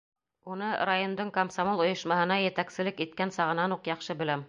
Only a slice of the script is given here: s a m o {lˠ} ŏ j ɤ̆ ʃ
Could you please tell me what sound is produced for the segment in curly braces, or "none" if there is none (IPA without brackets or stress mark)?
lˠ